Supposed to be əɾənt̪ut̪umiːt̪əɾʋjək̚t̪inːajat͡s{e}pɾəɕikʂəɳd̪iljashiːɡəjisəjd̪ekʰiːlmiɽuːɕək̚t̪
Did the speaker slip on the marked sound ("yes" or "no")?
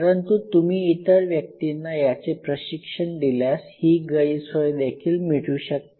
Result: no